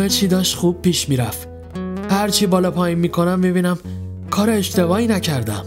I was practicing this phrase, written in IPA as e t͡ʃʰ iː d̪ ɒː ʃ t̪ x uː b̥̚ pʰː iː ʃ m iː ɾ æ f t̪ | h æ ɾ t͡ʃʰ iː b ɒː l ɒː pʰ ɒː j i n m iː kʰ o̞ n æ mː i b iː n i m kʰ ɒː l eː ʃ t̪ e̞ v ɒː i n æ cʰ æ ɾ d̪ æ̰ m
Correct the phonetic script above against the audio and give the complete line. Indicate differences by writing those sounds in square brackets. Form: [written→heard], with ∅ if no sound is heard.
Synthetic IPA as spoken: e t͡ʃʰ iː d̪ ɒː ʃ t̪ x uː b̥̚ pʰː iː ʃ m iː ɾ æ f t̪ | h æ ɾ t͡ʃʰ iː b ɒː l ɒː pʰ ɒː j i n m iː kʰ o̞ n æ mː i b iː n [i→æ] m kʰ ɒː [l→ɾ] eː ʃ t̪ e̞ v ɒː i n æ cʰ æ ɾ d̪ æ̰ m